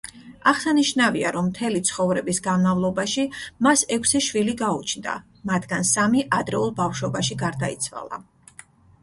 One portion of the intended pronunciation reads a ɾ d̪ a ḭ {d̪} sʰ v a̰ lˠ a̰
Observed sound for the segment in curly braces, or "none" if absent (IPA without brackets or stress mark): t̪